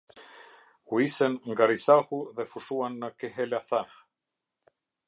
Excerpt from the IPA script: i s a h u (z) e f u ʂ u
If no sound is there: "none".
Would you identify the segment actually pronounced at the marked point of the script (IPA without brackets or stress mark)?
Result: ð